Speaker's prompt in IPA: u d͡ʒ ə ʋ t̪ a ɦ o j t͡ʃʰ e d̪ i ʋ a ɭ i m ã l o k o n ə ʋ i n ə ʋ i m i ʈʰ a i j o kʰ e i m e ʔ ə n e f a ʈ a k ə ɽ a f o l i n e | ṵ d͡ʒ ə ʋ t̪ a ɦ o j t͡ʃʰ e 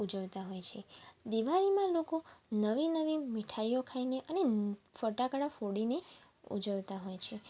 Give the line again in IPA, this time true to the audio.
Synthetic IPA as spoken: u d͡ʒ ə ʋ t̪ a ɦ o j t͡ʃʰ e d̪ i ʋ a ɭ i m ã l o k o n ə ʋ i n ə ʋ i m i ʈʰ a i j o kʰ a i n e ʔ ə n e f ə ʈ a k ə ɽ a f o ɽ i n e | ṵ d͡ʒ ə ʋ t̪ a ɦ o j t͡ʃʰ e